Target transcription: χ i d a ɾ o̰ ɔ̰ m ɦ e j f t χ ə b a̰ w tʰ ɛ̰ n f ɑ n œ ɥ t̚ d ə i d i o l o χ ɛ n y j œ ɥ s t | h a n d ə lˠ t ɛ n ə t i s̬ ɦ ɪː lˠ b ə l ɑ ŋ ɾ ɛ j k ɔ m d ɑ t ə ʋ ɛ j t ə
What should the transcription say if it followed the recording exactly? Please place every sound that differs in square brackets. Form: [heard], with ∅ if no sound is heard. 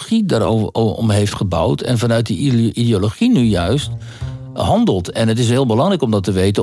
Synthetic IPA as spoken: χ i d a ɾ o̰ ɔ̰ m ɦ e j f t χ ə b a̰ w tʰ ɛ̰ n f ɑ n œ ɥ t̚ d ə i d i o l o χ [i] n y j œ ɥ s t | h [ɑ] n d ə lˠ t ɛ n ə t [ɪ] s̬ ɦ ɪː lˠ b ə l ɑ ŋ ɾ ɛ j k ɔ m d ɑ t ə ʋ [e] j t ə